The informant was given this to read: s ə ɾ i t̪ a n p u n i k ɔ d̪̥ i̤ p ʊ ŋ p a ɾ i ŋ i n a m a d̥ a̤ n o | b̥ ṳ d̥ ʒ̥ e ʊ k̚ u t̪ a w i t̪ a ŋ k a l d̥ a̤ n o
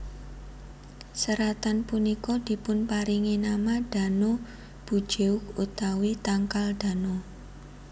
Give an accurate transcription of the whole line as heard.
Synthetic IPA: s ə ɾ a t̪ a n p u n i k ɔ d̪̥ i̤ p ʊ n p a ɾ i ŋ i n a m a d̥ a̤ n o | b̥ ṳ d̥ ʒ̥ e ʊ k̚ u t̪ a w i t̪ a ŋ k a l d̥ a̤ n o